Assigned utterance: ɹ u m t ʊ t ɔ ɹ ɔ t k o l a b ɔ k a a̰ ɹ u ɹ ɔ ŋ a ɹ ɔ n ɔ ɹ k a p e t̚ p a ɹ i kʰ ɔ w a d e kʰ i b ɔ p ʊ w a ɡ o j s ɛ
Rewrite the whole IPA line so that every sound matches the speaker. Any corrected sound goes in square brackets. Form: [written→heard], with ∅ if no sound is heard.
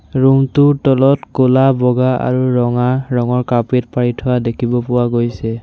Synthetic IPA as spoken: ɹ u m t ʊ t ɔ [ɹ→l] ɔ t k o l a b ɔ [k→ɡ] a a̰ ɹ u ɹ ɔ ŋ a ɹ ɔ [n→ŋ] ɔ ɹ k a p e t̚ p a ɹ i [kʰ→tʰ] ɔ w a d e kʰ i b ɔ p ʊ w a ɡ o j s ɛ